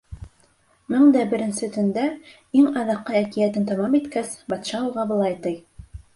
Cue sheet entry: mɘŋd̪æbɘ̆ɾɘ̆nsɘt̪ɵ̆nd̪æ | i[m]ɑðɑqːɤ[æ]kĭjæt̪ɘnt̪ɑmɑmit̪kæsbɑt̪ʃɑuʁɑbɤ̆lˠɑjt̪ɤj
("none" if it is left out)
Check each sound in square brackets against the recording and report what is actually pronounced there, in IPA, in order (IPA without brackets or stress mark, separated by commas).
ŋ, æ